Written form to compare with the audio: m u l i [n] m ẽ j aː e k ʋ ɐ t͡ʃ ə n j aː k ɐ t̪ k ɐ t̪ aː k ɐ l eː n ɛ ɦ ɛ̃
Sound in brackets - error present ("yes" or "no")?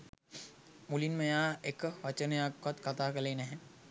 no